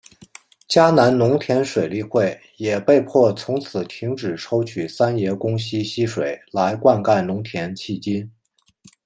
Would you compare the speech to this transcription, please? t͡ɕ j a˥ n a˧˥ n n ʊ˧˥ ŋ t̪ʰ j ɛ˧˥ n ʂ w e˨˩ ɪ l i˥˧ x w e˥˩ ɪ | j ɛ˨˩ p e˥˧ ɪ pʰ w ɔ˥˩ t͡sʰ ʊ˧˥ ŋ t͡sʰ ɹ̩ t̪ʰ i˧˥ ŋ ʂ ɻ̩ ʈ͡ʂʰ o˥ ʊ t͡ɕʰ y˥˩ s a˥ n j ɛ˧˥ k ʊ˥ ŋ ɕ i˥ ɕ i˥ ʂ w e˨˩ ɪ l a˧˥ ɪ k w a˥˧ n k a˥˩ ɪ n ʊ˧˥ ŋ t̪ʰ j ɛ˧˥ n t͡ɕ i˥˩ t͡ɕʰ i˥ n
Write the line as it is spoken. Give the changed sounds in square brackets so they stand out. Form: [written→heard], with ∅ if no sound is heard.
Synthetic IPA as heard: t͡ɕ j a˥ n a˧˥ n n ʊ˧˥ ŋ t̪ʰ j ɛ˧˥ n ʂ w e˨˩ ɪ l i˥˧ x w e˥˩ ɪ | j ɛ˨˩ p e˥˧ ɪ pʰ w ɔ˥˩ t͡sʰ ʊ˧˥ ŋ t͡sʰ ɹ̩ t̪ʰ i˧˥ ŋ [ʂ→ʈ͡ʂ] ɻ̩ ʈ͡ʂʰ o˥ ʊ t͡ɕʰ [y˥˩→y˨˩] s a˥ n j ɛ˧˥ k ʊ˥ ŋ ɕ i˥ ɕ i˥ ʂ w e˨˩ ɪ l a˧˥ ɪ k w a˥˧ n k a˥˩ ɪ n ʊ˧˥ ŋ t̪ʰ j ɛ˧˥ n [t͡ɕ→t͡ɕʰ] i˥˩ [t͡ɕʰ→t͡ɕ] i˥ n